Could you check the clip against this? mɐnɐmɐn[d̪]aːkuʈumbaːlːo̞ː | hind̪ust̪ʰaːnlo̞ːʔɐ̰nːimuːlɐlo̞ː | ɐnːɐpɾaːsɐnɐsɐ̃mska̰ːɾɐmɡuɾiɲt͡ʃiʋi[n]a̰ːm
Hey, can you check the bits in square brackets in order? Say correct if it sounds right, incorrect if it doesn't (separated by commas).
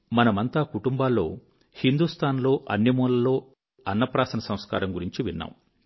incorrect, incorrect